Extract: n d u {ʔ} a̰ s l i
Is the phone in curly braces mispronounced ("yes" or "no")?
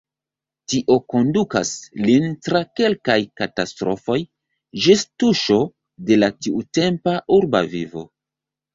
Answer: yes